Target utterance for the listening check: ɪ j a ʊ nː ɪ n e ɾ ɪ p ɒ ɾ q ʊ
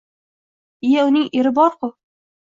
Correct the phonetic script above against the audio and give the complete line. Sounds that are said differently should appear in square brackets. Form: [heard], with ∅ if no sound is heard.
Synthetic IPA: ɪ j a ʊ [n] ɪ [ŋ] e ɾ ɪ [b] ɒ ɾ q ʊ